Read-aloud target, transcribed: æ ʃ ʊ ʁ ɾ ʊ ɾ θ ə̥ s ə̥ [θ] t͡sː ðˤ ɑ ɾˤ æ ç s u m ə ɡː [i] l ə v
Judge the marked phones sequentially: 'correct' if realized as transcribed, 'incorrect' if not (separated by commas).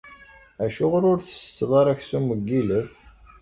incorrect, correct